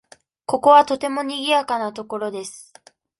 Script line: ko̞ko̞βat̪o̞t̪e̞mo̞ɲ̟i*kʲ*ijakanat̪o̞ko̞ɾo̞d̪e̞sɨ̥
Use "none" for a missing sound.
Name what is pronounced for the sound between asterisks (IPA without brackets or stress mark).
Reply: ɡʲ